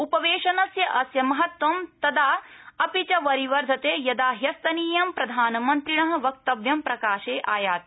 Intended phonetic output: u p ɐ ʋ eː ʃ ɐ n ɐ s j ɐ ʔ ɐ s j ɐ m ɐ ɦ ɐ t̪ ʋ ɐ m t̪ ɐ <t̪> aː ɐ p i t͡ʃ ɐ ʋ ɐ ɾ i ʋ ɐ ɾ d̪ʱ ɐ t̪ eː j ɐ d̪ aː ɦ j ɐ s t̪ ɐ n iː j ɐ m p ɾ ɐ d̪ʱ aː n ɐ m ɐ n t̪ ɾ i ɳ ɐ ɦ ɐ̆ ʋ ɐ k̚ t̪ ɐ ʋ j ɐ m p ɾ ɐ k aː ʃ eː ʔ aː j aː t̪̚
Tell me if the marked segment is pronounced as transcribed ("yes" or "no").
no